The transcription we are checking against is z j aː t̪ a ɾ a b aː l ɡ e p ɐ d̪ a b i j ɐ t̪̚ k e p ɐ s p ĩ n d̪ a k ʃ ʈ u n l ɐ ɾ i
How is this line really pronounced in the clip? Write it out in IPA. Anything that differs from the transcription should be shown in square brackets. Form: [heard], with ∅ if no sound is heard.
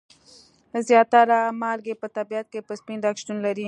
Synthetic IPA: z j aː t̪ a ɾ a [m] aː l ɡ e p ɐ [t̪] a b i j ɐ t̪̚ k e p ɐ s p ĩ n d̪ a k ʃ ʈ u n l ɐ ɾ i